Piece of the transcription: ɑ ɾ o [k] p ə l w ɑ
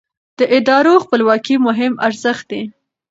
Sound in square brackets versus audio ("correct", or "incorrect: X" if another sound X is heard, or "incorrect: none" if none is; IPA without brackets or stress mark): incorrect: x